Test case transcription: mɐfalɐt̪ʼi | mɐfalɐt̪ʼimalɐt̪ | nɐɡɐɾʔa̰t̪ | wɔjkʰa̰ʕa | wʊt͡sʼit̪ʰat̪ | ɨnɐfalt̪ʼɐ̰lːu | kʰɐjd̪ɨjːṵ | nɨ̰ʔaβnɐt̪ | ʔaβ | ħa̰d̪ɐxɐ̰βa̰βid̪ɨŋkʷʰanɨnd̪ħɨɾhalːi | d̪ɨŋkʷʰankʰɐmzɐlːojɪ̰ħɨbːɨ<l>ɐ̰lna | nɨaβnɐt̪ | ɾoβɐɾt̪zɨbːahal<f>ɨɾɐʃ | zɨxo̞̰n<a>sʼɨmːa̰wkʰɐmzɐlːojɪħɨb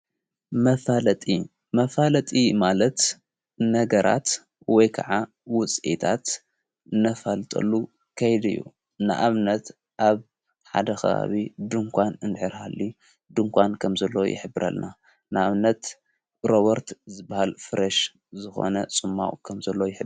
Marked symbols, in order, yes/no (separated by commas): no, yes, no